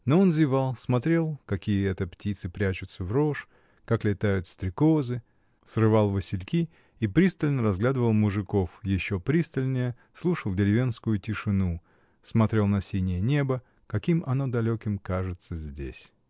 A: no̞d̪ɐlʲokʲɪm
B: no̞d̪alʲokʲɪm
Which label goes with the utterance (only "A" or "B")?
A